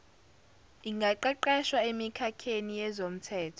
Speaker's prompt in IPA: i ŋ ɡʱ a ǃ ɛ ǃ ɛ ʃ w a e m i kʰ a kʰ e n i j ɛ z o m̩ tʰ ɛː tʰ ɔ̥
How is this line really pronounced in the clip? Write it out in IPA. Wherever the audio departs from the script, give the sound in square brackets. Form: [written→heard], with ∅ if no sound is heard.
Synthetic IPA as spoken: i ŋ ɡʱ a ǃ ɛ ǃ ɛ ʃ w a e m i kʰ a kʰ e n i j ɛ z o m̩ tʰ ɛː tʰ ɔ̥